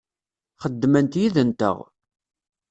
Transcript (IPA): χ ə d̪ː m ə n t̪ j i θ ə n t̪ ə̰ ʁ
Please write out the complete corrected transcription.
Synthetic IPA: χ ə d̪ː m ə n t̪ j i ð ə n t̪ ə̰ ʁ